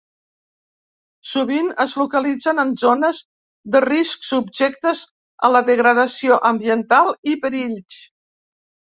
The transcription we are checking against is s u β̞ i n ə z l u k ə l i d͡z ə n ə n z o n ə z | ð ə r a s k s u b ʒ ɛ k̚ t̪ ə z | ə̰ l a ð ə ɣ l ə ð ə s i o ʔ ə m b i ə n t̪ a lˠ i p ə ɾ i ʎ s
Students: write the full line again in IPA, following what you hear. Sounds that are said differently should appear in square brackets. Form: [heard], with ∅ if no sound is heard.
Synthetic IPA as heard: s u β̞ i n ə z l u k ə l i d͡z ə n ə n z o n ə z | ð ə r [i] s k s u b ʒ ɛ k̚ t̪ ə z | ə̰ l [ə] ð ə ɣ [ɾ] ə ð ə s i o ʔ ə m b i ə n t̪ a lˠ i p ə ɾ i ʎ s